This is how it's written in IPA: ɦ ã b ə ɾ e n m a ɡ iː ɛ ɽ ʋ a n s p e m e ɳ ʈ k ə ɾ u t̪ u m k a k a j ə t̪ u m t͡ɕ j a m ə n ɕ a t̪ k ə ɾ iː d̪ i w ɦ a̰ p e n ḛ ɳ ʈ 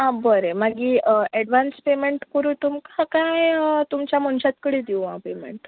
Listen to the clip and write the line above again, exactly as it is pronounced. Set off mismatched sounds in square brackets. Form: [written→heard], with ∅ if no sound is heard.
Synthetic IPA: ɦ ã b ə ɾ e [n→∅] m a ɡ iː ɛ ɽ ʋ a n s p e m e ɳ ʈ k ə ɾ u t̪ u m k a k a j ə t̪ u m t͡ɕ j a m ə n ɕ a t̪ k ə [ɾ→ɽ] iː d̪ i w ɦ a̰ p e [n→m] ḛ ɳ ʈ